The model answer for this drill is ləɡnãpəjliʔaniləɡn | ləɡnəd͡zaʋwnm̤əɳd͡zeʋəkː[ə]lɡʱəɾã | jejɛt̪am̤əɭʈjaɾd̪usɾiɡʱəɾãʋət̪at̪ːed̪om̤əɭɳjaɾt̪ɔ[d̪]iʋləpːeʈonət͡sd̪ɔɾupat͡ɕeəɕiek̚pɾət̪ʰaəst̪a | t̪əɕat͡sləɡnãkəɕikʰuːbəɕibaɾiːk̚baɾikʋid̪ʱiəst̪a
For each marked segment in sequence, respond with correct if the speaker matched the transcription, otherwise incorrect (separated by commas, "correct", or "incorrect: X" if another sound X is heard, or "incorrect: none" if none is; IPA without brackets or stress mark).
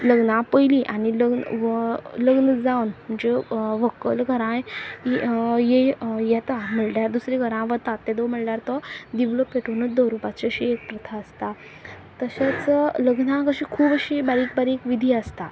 correct, correct